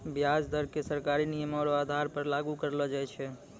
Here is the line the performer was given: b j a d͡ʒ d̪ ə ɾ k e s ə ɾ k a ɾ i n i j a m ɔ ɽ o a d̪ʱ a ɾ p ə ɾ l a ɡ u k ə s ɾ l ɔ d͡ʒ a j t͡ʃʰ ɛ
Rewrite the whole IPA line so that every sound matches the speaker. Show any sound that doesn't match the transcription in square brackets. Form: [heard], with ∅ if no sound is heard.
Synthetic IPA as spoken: b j a d͡ʒ d̪ ə ɾ k e s ə ɾ k a ɾ i n i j [ə] m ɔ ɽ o a d̪ʱ a ɾ p ə ɾ l a ɡ u k ə [∅] ɾ l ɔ d͡ʒ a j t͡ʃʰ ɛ